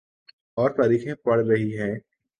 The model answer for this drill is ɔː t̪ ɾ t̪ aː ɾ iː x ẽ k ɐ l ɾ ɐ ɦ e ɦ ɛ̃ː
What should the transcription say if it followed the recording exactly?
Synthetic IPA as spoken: ɔː ɾ t̪ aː ɾ iː x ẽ p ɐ ɽ ɾ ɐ ɦ i ɦ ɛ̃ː